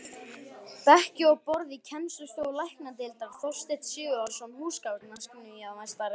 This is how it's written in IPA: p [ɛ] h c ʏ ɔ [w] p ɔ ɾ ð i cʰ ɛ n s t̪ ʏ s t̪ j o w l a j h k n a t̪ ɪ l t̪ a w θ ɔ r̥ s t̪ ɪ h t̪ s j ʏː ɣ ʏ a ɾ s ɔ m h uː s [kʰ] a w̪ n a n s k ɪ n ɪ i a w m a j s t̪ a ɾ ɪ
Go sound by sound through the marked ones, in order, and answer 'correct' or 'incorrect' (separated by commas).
correct, incorrect, incorrect